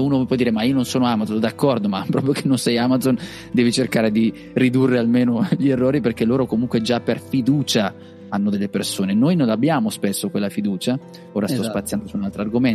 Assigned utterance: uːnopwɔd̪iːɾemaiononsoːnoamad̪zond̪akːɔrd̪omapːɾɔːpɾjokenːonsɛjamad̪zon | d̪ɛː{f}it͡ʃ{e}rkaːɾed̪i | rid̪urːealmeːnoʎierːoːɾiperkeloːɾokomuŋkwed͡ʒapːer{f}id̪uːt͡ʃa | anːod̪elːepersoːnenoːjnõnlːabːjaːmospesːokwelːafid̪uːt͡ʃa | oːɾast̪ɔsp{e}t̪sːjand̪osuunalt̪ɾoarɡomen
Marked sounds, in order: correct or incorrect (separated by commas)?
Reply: incorrect, correct, correct, incorrect